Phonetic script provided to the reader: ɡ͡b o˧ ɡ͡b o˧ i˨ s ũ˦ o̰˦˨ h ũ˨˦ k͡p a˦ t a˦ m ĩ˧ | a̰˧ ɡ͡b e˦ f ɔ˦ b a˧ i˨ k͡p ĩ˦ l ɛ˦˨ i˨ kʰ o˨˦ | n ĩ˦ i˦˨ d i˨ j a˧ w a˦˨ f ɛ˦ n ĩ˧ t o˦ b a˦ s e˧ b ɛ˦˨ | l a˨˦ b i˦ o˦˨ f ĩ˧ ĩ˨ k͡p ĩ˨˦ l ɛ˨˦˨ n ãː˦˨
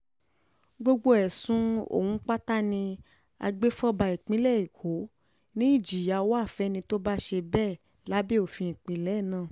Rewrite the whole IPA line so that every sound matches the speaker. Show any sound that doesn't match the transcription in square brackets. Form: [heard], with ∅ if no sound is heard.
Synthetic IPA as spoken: ɡ͡b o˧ ɡ͡b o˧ [ɛ˨] s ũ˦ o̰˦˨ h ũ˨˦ k͡p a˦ t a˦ [n] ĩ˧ | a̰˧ ɡ͡b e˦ f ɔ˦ b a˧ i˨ k͡p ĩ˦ l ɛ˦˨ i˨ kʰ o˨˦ | n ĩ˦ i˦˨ [d͡ʒ] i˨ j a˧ w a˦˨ f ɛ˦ n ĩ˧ t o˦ b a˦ [ʃ] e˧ b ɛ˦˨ | l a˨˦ b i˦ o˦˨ f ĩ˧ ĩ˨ k͡p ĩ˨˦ l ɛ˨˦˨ n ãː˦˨